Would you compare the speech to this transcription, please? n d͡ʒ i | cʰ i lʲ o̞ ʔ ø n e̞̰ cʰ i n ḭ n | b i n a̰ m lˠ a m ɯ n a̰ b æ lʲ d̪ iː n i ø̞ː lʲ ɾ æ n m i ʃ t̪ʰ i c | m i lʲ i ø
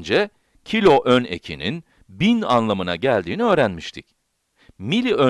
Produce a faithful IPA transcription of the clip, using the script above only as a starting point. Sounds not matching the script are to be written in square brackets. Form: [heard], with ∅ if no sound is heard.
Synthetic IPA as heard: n d͡ʒ [ɛ] | cʰ i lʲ o̞ ʔ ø n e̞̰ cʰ i n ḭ n | b i n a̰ [n] lˠ a m ɯ n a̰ [ɟ] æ lʲ d̪ iː n i ø̞ː [∅] ɾ æ n m i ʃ t̪ʰ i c | m i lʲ i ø